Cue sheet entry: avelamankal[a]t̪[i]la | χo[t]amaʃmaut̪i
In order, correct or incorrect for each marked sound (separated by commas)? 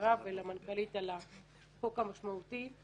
incorrect, incorrect, incorrect